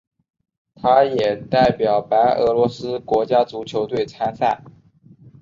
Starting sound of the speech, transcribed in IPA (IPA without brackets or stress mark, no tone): t̪ʰ